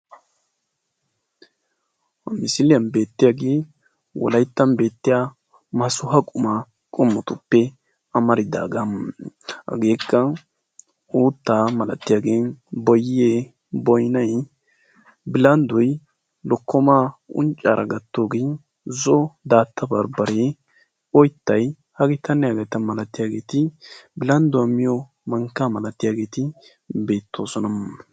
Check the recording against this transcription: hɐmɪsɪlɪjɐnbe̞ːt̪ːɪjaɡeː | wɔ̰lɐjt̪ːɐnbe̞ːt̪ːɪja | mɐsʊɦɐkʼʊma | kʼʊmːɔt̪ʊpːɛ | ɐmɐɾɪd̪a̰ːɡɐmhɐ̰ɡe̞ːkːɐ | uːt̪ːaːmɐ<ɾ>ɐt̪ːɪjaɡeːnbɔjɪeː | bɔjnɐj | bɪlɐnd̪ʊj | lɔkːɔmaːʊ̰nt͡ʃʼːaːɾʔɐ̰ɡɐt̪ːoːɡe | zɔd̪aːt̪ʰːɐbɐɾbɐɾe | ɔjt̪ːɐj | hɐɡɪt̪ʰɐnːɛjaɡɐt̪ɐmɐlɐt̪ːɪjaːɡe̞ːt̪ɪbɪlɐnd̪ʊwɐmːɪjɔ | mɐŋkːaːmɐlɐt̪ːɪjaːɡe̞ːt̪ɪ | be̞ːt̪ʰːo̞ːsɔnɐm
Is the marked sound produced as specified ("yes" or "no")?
no